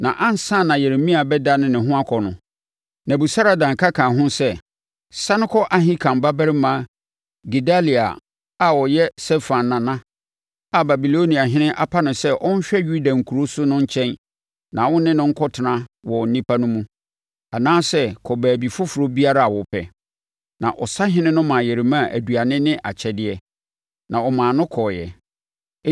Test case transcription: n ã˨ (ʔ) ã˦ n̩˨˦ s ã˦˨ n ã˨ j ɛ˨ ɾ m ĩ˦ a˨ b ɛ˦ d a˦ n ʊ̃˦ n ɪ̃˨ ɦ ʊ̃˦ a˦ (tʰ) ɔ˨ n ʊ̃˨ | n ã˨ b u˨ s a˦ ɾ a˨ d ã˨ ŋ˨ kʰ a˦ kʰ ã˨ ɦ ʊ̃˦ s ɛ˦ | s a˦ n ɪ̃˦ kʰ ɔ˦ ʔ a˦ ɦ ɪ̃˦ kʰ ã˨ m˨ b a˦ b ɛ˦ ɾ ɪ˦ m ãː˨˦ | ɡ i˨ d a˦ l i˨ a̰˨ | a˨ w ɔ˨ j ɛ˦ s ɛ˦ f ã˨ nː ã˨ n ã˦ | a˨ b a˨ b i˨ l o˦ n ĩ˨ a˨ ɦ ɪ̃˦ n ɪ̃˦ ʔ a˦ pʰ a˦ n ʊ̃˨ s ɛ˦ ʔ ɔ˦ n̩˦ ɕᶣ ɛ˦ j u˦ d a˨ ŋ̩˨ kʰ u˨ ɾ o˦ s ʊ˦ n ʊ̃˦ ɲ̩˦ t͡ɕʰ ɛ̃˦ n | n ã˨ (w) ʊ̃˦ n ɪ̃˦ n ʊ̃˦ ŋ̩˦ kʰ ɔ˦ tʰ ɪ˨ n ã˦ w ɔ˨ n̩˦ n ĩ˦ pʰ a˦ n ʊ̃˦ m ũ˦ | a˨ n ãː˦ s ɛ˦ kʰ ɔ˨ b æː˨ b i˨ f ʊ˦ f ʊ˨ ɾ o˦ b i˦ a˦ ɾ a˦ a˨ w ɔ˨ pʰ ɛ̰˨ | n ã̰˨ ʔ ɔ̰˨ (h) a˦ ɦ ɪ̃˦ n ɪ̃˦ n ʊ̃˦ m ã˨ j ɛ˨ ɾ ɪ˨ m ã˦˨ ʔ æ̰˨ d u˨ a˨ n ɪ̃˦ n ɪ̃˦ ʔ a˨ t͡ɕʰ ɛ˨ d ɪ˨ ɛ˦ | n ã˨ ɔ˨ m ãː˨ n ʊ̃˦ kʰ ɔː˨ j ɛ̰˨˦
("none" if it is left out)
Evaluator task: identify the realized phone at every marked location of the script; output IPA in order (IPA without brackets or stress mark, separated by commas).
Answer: ʔ, kʰ, w, s